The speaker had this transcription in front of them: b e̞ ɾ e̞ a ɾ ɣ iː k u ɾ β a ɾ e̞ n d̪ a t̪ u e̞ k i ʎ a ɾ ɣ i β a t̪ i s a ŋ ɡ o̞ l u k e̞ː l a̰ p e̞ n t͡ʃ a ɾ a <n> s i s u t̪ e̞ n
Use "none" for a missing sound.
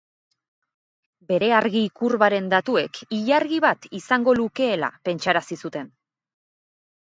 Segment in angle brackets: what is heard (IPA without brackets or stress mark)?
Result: none